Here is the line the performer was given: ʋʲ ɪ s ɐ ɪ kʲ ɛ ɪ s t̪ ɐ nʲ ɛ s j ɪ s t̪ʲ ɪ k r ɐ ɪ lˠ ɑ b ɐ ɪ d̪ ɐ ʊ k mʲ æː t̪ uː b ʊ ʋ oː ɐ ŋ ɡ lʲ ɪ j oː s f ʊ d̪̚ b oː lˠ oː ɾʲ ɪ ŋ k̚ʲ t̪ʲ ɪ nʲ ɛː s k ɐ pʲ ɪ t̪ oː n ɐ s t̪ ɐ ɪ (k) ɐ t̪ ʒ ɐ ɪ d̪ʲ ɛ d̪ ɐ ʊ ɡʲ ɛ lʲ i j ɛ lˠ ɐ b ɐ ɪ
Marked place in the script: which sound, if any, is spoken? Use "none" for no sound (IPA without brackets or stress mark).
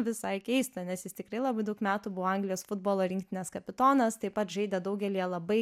p